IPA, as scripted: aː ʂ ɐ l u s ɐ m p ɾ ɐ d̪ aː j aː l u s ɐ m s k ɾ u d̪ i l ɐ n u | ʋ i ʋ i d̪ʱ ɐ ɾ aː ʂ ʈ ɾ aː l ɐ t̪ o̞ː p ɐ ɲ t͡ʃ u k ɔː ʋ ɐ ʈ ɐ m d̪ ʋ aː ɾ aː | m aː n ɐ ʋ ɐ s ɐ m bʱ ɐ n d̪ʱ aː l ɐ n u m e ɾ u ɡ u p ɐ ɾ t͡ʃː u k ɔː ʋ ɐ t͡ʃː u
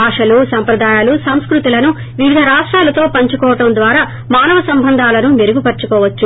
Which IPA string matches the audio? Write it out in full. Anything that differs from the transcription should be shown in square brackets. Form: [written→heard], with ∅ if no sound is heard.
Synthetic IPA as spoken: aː ʂ ɐ l u s ɐ m p ɾ ɐ d̪ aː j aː l u s ɐ m s k ɾ u [d̪→t̪] i l ɐ n u | ʋ i ʋ i d̪ʱ ɐ ɾ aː ʂ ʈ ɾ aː l ɐ t̪ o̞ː p ɐ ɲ t͡ʃ u k ɔː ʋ ɐ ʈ ɐ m d̪ ʋ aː ɾ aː | m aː n ɐ ʋ ɐ s ɐ m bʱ ɐ n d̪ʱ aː l ɐ n u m e ɾ u ɡ u p ɐ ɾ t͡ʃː u k ɔː ʋ ɐ t͡ʃː u